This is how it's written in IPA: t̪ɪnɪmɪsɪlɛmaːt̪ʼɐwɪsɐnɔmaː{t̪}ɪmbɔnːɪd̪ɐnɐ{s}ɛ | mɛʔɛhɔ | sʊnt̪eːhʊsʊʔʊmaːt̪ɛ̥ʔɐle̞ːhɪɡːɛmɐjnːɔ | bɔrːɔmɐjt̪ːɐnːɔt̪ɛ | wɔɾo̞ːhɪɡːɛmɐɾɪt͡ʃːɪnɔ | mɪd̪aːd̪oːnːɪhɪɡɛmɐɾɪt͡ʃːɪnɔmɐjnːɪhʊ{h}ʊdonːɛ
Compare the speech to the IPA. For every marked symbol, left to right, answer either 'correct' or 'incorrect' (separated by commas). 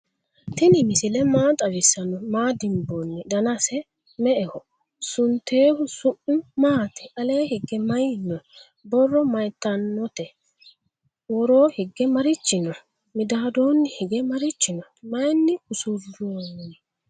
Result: incorrect, correct, incorrect